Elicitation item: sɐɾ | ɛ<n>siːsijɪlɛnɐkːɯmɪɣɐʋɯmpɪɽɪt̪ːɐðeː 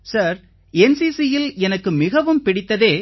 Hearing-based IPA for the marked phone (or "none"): n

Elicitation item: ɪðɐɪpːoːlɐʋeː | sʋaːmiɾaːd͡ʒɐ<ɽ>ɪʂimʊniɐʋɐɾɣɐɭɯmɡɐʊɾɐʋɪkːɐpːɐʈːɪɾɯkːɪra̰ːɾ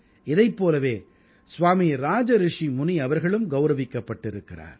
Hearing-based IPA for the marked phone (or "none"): ɾ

